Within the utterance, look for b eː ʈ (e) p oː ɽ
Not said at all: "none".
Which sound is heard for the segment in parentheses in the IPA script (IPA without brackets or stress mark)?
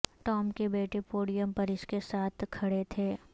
e